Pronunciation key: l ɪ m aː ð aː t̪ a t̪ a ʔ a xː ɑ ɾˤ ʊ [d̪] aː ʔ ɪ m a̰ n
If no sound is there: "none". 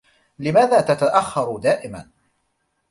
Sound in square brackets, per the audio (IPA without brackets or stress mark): d̪